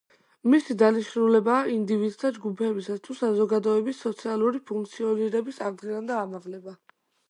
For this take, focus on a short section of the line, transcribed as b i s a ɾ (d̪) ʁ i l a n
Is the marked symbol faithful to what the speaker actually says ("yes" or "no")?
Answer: yes